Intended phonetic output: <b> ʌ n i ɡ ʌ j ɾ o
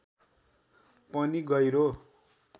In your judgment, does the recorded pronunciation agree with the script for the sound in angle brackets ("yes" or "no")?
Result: no